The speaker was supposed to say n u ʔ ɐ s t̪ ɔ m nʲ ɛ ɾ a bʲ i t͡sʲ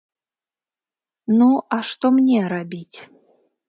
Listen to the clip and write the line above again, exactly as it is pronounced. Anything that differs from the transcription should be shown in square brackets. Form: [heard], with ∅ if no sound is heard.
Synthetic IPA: n u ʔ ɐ [ʂ] t̪ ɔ m nʲ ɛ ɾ a bʲ i t͡sʲ